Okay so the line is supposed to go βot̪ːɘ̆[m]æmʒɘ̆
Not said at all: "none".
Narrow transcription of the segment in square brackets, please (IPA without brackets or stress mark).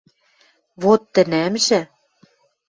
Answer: n